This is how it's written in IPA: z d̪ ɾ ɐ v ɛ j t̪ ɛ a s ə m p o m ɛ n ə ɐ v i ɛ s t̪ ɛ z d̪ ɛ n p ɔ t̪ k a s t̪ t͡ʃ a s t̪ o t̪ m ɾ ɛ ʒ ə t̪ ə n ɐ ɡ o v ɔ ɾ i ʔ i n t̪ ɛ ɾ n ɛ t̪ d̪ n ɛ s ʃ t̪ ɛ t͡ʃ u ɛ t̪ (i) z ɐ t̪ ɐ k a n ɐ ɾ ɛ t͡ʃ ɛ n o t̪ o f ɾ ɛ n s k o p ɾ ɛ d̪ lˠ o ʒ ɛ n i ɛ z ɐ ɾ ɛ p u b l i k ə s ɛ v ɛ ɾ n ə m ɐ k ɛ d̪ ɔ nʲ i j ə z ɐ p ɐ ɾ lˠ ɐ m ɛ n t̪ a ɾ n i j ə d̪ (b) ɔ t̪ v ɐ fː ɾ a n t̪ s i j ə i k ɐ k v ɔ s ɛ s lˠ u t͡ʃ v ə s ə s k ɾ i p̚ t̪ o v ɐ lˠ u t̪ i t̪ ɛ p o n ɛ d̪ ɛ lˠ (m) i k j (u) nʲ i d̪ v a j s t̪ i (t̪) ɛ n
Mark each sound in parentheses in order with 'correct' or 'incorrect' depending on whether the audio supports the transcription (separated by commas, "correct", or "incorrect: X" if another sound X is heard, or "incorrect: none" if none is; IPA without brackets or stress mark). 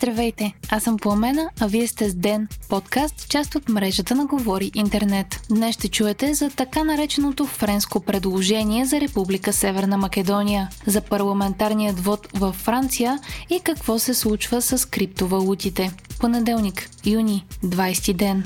incorrect: ɛ, incorrect: v, incorrect: n, correct, incorrect: d̪